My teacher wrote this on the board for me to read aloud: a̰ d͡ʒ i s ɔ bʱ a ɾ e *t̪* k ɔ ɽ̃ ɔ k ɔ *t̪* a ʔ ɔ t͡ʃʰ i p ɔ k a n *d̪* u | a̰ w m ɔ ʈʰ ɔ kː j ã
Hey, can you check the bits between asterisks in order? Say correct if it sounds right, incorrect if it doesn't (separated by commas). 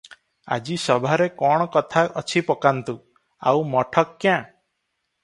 incorrect, incorrect, incorrect